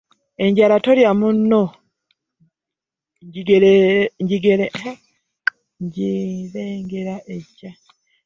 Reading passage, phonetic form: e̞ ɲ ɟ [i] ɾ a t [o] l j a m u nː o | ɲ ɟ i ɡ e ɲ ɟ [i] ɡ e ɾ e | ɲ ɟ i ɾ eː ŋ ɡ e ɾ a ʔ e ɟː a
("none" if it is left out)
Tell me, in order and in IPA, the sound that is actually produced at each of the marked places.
a, o, i

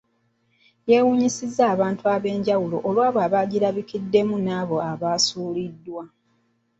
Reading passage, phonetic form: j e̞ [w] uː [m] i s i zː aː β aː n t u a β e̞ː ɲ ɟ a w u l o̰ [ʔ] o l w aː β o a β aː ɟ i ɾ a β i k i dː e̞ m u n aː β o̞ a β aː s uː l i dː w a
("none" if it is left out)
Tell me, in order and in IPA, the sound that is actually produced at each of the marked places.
w, ɲ, ʔ

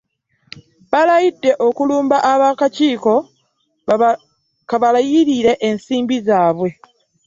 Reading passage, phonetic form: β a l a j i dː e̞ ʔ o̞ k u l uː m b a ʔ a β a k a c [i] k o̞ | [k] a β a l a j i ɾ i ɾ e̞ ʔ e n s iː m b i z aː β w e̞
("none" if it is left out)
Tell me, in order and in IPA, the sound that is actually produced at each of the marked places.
iː, k

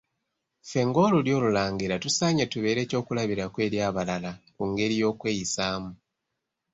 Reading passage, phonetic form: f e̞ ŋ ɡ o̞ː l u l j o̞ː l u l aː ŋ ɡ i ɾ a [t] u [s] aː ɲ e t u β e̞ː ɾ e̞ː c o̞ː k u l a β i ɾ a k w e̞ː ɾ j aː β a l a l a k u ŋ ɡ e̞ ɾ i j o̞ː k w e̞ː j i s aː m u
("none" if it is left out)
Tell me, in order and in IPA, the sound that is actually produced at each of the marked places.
t, s

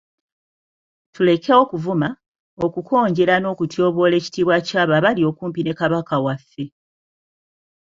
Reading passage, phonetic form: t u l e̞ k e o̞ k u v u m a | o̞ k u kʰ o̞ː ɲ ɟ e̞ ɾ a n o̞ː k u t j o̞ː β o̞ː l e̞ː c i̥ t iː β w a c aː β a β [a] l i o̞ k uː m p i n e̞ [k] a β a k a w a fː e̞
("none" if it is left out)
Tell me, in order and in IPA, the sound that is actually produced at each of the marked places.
a, k

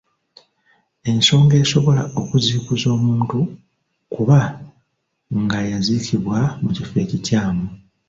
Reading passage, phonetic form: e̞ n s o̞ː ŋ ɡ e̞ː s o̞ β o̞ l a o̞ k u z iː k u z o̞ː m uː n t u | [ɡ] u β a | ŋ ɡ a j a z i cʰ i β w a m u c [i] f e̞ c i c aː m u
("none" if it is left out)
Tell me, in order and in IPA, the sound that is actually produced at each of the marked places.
k, i

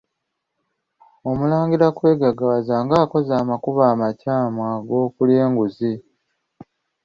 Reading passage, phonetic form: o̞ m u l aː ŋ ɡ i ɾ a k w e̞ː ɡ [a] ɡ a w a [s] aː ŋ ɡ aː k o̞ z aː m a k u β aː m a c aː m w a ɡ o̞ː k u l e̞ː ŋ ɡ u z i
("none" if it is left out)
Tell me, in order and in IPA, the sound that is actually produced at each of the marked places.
a, z

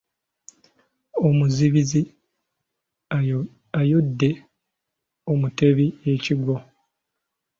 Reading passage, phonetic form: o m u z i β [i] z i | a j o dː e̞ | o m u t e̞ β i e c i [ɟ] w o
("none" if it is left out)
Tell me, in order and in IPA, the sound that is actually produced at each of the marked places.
i, ɡ

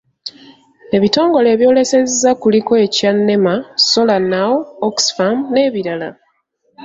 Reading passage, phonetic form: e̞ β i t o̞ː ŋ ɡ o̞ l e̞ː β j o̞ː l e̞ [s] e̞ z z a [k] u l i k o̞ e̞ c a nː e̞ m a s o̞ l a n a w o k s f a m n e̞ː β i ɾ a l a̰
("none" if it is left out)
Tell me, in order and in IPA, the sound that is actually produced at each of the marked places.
s, k

